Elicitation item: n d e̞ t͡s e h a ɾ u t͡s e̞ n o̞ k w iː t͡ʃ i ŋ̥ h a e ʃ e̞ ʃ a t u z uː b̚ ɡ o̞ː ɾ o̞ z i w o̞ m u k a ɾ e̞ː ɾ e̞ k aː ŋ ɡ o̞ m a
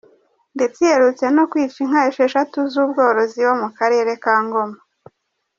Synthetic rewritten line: n d e̞ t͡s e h e ɾ u t͡s e̞ n o̞ k w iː t͡ʃ i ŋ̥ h a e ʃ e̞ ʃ a t u z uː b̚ ɡ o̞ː ɾ o̞ z i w o̞ m u k a ɾ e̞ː ɾ e̞ k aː ŋ ɡ o̞ m a